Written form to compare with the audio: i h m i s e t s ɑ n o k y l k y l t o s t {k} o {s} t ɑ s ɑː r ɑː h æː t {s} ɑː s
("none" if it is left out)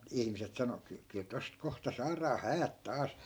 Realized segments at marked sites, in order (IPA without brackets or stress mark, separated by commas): k, h, t